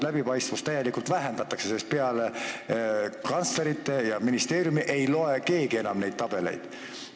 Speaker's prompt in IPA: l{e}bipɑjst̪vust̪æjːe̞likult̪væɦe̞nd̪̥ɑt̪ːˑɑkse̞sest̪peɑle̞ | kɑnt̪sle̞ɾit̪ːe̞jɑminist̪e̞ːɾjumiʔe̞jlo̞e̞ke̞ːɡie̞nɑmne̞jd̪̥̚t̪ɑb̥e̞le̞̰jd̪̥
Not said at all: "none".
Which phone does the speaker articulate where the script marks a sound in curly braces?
æ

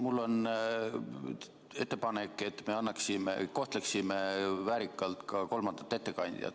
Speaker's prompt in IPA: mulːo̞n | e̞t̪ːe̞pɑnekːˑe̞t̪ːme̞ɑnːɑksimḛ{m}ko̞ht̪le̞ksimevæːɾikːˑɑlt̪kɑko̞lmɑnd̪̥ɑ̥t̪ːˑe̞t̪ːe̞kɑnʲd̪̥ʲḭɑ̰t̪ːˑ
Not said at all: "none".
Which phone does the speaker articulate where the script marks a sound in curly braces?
none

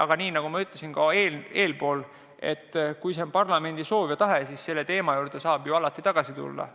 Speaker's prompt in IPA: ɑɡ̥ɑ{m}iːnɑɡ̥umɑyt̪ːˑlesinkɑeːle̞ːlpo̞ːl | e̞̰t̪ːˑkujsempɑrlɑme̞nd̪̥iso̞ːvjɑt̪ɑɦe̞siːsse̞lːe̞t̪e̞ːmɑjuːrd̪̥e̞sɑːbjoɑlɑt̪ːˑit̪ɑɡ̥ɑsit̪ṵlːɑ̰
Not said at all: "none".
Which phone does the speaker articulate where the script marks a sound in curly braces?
n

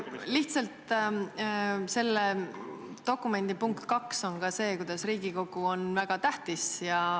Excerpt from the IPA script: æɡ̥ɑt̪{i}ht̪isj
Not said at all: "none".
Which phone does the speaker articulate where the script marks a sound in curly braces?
æ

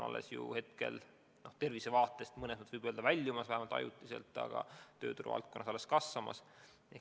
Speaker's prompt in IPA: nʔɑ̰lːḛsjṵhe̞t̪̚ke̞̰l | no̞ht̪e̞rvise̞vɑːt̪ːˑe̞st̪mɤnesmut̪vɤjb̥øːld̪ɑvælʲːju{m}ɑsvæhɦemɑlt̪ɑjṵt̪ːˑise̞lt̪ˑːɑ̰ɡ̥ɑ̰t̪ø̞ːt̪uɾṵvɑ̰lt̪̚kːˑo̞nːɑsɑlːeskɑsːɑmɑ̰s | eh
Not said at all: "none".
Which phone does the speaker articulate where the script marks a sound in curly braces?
m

